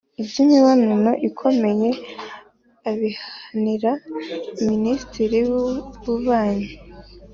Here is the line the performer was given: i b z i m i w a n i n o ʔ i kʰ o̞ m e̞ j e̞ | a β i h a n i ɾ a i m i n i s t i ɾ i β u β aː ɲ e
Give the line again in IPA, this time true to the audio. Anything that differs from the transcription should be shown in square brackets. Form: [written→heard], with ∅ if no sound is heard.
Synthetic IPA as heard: i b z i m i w a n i n o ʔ i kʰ o̞ m e̞ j e̞ | a β i h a n i ɾ a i m i n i s t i ɾ i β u β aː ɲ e